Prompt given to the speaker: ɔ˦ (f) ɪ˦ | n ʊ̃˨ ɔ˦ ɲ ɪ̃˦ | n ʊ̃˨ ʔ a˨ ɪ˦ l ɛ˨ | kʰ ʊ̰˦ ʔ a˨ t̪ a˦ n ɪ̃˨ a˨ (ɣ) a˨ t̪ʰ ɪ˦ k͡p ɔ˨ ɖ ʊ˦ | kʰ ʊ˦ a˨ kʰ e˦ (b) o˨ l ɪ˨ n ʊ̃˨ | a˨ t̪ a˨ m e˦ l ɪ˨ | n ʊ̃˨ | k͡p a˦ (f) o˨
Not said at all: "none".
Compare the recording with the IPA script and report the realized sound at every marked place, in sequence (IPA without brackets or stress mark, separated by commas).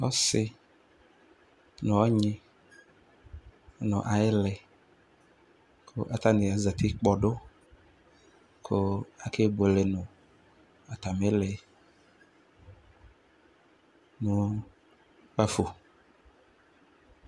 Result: s, z, b, f